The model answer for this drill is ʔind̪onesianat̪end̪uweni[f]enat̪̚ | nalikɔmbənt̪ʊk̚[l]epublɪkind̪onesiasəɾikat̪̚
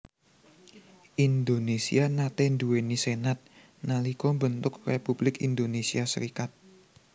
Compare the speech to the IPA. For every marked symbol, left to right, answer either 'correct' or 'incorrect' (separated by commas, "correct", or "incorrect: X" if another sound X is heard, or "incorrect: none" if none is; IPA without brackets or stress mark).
incorrect: s, incorrect: r